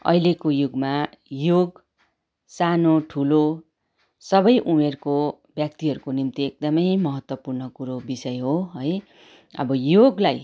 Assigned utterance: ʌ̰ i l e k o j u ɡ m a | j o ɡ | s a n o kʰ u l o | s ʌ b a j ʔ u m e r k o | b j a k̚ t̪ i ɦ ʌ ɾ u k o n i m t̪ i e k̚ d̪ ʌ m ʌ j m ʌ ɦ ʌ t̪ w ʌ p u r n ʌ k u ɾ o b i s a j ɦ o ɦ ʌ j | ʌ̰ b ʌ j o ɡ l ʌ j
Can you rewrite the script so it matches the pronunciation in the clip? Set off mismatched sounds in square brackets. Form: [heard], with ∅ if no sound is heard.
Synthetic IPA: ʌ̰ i l e k o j u ɡ m a | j o ɡ | s a n o [ʈʰ] u l o | s ʌ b [ʌ] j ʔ u m e r k o | b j a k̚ t̪ i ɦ ʌ ɾ u k o n i m t̪ i e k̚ d̪ ʌ m ʌ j m ʌ ɦ ʌ t̪ w ʌ p u r n ʌ k u ɾ o b i s [ʌ] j ɦ o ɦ ʌ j | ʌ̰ b ʌ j o ɡ l [a] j